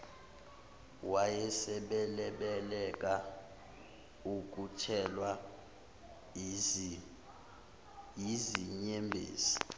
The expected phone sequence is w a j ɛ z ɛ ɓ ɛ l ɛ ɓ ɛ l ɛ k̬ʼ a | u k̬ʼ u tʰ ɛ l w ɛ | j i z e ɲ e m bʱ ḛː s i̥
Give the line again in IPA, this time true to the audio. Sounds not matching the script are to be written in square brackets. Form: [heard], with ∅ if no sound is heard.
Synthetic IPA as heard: w a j ɛ [s] ɛ ɓ ɛ l ɛ ɓ ɛ l ɛ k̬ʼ a | u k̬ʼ u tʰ ɛ l w [a] | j i z [i] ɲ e m bʱ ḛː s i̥